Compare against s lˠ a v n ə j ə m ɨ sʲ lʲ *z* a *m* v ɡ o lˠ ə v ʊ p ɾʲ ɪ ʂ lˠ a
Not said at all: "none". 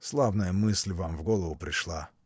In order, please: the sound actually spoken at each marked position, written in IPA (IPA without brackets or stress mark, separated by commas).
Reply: v, m